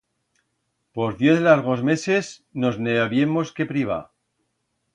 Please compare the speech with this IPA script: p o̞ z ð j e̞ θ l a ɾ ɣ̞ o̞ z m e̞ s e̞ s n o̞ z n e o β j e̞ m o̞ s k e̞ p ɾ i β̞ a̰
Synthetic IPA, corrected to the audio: p o̞ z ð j e̞ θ l a ɾ ɣ̞ o̞ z m e̞ s e̞ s n o̞ z n e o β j e̞ m o̞ s k e̞ p ɾ i β̞ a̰